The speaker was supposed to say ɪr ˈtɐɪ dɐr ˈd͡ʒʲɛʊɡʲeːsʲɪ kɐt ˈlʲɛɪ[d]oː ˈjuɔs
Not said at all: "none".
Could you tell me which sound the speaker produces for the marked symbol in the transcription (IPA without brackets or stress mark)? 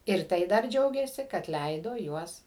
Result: d